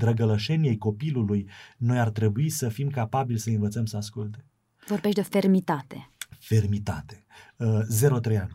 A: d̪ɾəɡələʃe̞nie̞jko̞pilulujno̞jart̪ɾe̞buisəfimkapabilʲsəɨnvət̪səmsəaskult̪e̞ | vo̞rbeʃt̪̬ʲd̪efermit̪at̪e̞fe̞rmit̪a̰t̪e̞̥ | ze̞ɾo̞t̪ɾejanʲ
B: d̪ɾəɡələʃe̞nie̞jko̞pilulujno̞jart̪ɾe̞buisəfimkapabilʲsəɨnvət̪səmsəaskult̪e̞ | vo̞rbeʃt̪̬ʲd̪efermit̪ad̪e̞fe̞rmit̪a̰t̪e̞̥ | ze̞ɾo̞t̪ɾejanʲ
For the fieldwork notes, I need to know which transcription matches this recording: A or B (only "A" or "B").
A